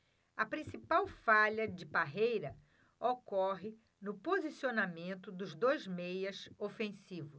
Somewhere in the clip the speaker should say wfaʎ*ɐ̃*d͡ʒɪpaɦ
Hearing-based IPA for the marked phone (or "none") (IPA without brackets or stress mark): ɐ